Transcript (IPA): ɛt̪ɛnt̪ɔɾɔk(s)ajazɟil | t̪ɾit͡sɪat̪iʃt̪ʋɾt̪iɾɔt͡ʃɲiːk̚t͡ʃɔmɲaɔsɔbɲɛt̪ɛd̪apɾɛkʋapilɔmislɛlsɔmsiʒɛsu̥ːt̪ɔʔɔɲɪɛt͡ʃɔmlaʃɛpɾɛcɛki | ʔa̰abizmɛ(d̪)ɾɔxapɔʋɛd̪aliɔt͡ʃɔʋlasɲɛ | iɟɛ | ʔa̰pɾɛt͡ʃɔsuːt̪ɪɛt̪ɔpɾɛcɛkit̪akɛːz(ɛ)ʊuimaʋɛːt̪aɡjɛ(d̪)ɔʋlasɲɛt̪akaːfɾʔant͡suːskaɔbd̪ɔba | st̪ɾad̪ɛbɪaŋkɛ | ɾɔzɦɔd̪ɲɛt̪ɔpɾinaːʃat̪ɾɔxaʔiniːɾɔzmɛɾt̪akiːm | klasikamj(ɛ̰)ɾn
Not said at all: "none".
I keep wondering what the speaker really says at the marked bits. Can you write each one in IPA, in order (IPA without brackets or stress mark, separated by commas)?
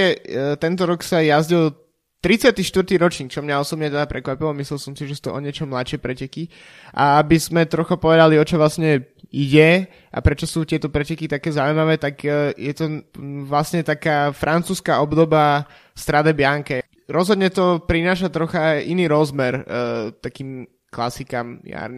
s, t̪, a, t̪, a̰